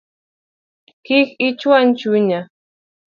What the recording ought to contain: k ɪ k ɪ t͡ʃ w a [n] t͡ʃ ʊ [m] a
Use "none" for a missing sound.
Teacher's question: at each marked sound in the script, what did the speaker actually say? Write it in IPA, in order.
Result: n, ɲ

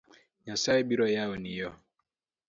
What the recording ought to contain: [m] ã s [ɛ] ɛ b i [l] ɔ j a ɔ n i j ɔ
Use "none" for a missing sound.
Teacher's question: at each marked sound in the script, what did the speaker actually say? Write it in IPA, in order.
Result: ɲ, a, ɾ

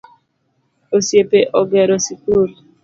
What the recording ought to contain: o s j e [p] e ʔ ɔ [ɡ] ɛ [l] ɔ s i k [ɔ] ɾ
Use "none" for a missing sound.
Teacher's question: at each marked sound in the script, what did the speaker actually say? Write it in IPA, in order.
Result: p, ɡ, ɾ, u

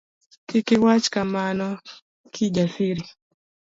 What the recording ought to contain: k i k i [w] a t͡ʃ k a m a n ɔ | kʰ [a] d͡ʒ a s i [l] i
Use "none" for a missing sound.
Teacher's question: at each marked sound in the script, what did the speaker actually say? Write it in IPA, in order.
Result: w, i, ɾ

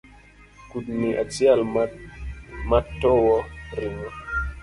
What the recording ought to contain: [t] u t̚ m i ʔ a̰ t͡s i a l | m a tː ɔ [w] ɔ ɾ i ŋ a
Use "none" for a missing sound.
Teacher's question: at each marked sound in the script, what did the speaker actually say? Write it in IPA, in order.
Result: k, w

